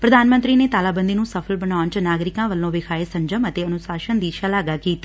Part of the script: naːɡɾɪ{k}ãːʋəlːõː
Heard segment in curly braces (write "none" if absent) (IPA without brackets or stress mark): k